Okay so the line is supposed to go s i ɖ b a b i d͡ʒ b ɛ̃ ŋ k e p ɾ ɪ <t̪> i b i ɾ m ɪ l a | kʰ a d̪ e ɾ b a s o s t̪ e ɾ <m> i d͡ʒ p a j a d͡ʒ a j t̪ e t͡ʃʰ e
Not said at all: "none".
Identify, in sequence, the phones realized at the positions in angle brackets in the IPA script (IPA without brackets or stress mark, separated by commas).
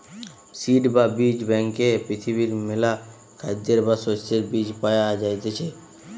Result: t̪ʰ, b